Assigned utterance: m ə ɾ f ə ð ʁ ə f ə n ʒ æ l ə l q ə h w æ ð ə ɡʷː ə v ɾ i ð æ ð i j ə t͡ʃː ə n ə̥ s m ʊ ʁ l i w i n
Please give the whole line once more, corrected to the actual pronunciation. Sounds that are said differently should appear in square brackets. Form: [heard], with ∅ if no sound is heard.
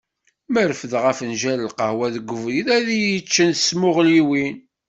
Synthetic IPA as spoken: m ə ɾ f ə ð ʁ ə f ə n ʒ æ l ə l q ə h w æ ð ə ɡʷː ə v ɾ i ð æ ð i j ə t͡ʃː ə n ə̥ s m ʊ ʁ l i w i n